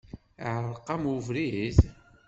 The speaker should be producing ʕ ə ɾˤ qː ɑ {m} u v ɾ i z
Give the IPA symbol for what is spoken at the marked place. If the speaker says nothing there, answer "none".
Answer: m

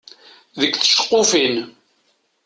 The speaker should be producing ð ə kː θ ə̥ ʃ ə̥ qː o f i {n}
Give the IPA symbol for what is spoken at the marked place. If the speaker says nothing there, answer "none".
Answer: n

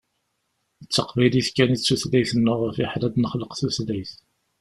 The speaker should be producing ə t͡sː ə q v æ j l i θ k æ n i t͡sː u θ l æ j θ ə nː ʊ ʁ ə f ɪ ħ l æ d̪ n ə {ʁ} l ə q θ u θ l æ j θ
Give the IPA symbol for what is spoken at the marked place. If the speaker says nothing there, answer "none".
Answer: χ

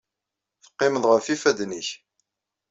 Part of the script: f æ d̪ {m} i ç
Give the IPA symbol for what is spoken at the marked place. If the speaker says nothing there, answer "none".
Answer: n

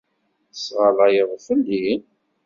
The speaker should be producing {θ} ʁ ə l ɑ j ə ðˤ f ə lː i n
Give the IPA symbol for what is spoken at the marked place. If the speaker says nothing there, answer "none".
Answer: s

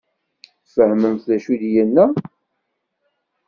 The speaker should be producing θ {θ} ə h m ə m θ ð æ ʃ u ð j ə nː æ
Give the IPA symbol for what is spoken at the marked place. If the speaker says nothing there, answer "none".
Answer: f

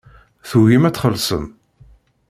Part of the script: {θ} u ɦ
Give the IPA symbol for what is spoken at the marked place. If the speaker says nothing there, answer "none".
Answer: θ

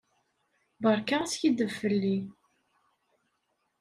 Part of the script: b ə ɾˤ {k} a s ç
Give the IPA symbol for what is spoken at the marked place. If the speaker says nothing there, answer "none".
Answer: k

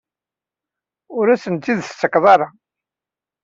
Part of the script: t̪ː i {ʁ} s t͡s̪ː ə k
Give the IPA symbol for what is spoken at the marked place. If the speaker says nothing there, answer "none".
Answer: ð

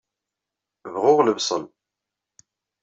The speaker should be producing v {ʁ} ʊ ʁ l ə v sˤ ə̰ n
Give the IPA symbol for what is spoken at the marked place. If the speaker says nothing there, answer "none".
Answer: ʁ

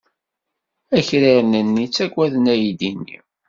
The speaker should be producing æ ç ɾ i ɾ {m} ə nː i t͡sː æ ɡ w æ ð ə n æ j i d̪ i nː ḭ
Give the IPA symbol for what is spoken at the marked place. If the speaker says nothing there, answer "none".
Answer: n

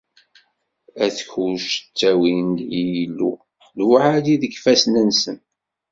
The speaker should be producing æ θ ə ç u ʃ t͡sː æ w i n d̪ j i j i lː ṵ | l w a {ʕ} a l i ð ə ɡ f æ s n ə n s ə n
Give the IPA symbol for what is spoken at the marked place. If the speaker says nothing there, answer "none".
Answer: ʕ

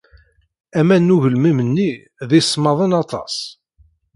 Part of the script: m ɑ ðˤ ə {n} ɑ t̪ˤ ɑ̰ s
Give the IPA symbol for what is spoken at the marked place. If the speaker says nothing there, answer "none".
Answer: n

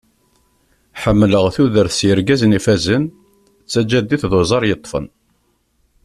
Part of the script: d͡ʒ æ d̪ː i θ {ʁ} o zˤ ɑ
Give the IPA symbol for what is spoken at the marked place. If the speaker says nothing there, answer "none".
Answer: ð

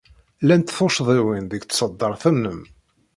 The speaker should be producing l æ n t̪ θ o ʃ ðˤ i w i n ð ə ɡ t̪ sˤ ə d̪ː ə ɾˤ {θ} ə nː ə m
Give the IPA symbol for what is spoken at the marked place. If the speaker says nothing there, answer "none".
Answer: θ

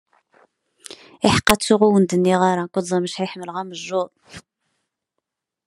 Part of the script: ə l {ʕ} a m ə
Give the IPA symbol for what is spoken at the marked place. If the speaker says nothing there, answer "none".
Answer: ʁ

